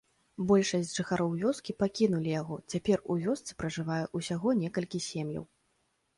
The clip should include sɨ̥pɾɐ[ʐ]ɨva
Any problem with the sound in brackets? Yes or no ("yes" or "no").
no